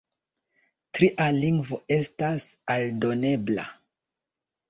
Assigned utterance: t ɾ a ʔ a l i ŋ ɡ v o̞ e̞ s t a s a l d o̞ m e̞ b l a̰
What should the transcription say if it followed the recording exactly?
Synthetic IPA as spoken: t ɾ i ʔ a l i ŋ ɡ v o̞ e̞ s t a s a l d o̞ n e̞ b l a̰